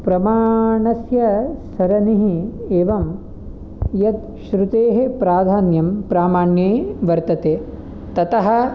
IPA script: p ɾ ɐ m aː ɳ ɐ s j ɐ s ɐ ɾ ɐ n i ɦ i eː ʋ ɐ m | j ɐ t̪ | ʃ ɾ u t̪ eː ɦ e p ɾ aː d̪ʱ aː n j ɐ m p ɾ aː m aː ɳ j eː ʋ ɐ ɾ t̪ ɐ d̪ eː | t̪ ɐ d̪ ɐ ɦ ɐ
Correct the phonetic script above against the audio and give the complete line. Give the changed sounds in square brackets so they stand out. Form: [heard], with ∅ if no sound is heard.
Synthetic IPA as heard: p ɾ ɐ m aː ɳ ɐ s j ɐ s ɐ ɾ ɐ n i ɦ i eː ʋ ɐ m | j ɐ t̪ | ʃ ɾ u t̪ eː ɦ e p ɾ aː d̪ʱ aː n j ɐ m p ɾ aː m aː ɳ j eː ʋ ɐ ɾ t̪ ɐ [t̪] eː | t̪ ɐ [t̪] ɐ ɦ ɐ